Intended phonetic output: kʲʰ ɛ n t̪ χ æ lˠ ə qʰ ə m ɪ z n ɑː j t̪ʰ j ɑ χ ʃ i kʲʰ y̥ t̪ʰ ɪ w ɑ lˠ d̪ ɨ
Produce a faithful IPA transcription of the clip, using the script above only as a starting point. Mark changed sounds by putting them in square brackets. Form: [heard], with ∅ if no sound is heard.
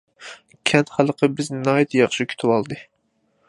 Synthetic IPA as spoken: kʲʰ ɛ n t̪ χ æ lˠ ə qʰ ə [b] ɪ z n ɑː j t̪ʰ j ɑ χ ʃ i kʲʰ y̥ t̪ʰ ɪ w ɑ lˠ d̪ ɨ